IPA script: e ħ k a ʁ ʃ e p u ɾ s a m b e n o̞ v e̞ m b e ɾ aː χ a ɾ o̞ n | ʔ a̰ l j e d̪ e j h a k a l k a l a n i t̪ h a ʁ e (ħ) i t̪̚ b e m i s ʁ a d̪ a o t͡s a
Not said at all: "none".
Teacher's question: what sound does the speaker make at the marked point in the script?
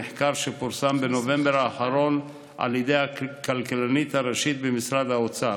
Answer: ʃ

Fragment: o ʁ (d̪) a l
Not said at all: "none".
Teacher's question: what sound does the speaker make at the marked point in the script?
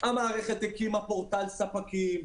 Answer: t̪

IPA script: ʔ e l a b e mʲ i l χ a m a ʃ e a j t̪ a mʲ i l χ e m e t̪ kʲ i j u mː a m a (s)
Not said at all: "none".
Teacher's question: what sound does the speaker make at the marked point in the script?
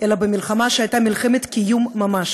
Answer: ʃ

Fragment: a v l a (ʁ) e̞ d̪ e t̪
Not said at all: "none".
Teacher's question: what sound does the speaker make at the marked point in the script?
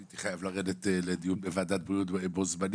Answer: ʁ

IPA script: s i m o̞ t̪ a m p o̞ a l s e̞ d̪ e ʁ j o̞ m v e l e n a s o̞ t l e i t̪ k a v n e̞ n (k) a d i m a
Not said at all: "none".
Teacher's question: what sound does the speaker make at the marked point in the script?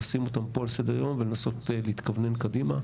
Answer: k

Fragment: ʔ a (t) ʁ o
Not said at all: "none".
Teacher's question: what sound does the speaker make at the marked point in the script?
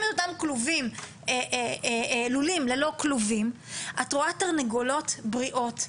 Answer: t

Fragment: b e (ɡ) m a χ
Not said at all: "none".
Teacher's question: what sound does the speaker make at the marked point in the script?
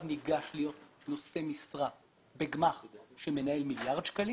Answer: ɡ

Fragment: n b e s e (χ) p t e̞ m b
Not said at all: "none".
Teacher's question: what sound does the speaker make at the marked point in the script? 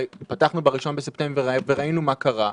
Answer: none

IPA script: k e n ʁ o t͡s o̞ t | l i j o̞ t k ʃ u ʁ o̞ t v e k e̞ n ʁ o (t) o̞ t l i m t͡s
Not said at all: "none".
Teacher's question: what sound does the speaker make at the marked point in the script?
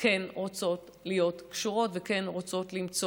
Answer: t͡s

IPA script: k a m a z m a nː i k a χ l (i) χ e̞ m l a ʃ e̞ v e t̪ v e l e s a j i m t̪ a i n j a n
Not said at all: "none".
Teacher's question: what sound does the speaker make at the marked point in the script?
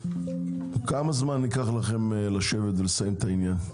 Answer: a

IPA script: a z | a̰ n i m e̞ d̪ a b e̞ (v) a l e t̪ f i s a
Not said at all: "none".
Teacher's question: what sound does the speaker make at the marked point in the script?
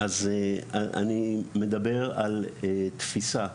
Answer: ʁ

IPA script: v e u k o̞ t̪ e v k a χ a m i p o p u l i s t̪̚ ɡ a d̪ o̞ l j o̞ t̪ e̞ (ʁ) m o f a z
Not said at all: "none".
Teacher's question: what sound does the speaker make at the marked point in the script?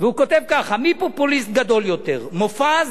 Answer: ʁ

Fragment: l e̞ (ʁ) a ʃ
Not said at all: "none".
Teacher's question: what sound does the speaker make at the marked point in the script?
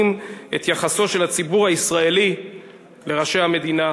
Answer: ʁ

